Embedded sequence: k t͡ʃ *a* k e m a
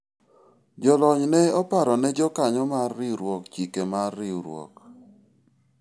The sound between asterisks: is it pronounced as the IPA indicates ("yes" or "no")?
no